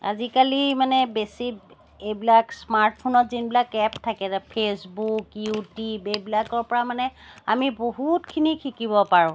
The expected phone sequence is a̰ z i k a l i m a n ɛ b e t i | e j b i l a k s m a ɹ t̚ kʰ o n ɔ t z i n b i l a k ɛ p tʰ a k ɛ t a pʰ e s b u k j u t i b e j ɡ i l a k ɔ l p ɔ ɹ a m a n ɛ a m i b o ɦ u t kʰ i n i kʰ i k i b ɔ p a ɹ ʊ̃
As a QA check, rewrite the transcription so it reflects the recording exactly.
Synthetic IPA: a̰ z i k a l i m a n ɛ b e s i | e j b i l a k s m a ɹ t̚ pʰ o n ɔ t z i n b i l a k ɛ p tʰ a k ɛ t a pʰ e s b u k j u t i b e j b i l a k ɔ ɹ p ɔ ɹ a m a n ɛ a m i b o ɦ u t kʰ i n i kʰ i k i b ɔ p a ɹ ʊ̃

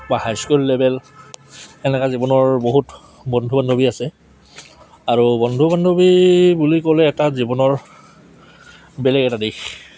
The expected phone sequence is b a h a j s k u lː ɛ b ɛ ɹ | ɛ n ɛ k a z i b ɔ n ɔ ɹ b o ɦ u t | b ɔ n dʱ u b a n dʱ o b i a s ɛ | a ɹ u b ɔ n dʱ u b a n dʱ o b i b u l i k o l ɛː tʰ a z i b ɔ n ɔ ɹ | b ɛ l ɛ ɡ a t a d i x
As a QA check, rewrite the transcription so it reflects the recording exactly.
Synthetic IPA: b a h a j s k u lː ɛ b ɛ l | ɛ n ɛ k a z i b ɔ n ɔ ɹ b o ɦ u t | b ɔ n dʱ u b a n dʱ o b i a s ɛ | a ɹ u b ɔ n dʱ u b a n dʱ o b i b u l i k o l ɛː t a z i b ɔ n ɔ ɹ | b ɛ l ɛ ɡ ɛ t a d i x

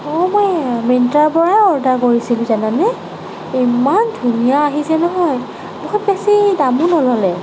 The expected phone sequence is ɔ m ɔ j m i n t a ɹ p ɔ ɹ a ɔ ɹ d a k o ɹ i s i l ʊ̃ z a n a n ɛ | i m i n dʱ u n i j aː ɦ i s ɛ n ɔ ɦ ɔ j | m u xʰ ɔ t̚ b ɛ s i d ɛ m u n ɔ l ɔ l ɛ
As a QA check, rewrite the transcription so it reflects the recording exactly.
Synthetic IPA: ɔ m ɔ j m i n t a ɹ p ɔ ɹ a ɔ ɹ d a k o ɹ i s i l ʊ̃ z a n a n ɛ | i m a n dʱ u n i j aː ɦ i s ɛ n ɔ ɦ ɔ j | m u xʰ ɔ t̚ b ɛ s i d a m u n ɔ l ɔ l ɛ

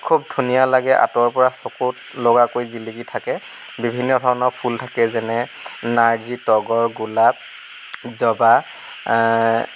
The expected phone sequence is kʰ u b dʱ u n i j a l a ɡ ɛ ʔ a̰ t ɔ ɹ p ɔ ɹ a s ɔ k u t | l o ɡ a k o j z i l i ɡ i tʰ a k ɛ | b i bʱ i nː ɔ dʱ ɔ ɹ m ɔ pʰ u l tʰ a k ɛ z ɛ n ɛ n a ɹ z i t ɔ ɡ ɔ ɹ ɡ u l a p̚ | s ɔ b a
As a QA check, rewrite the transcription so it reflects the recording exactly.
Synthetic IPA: kʰ u b dʱ u n i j a l a ɡ ɛ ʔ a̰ t ɔ ɹ p ɔ ɹ a s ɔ k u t | l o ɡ a k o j z i l i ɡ i tʰ a k ɛ | b i bʱ i nː ɔ dʱ ɔ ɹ n ɔ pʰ u l tʰ a k ɛ z ɛ n ɛ n a ɹ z i t ɔ ɡ ɔ ɹ ɡ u l a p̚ | z ɔ b a

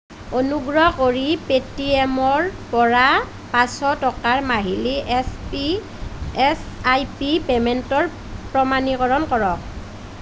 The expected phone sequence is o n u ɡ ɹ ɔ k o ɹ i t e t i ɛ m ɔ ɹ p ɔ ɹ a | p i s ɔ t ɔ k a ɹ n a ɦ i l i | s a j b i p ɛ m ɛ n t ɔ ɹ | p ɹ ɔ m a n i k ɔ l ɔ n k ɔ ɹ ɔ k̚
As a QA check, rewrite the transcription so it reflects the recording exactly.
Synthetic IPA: o n u ɡ ɹ ɔ k o ɹ i p e t i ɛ m ɔ ɹ p ɔ ɹ a | p a s ɔ t ɔ k a ɹ m a ɦ i l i | s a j p i p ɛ m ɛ n t ɔ ɹ | p ɹ ɔ m a n i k ɔ ɹ ɔ n k ɔ ɹ ɔ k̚

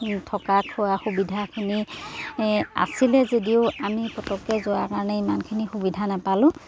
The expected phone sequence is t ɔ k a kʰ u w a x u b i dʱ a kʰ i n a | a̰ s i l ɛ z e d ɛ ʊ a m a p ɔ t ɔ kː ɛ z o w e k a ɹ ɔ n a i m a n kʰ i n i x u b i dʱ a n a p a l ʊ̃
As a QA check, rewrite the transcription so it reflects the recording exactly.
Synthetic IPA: tʰ ɔ k a kʰ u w a x u b i dʱ a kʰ i n i | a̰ s i l ɛ z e d i ʊ a m i p ɔ t ɔ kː ɛ z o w a k a ɹ ɔ n ɛ i m a n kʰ i n i x u b i dʱ a n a p a l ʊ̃

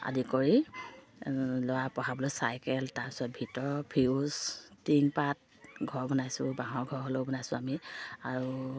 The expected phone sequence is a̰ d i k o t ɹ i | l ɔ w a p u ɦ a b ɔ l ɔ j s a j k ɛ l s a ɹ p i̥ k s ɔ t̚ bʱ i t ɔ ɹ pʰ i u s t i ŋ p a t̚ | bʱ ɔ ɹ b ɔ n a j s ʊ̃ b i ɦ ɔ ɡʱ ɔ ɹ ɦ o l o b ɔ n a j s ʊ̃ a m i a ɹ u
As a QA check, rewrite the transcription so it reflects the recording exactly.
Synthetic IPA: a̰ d i k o ɹ i | l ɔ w a p ɔ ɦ a b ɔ l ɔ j s a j k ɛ l t a ɹ p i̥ s ɔ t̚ bʱ i t ɔ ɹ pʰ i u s t i ŋ p a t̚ | ɡʱ ɔ ɹ b ɔ n a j s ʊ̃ b a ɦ ɔ ɡʱ ɔ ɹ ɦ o l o b ɔ n a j s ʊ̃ a m i a ɹ u

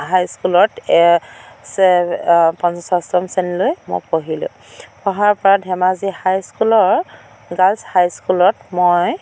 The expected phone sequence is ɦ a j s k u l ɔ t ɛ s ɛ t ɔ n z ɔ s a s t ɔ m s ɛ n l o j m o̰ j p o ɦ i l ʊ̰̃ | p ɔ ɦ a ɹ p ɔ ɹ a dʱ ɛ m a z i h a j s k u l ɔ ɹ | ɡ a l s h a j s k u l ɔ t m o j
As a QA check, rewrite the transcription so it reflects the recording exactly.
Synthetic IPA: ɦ a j s k u l ɔ t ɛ s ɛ p ɔ n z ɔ s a s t ɔ m s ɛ n l o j m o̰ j p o ɦ i l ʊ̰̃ | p ɔ ɦ a ɹ p ɔ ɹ a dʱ ɛ m a z i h a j s k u l ɔ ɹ | ɡ a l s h a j s k u l ɔ t m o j

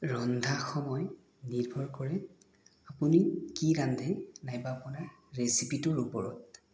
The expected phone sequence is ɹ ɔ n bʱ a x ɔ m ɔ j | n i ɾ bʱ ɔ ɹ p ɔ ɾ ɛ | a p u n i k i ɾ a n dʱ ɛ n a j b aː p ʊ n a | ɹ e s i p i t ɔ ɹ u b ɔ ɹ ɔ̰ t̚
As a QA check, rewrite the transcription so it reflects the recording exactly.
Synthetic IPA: ɹ ɔ n dʱ a x ɔ m ɔ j | n i ɹ bʱ ɔ ɹ k ɔ ɹ ɛ | a p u n i k i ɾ a n dʱ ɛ n a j b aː p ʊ n a | ɹ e s i p i t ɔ ɹ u p ɔ ɹ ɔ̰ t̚

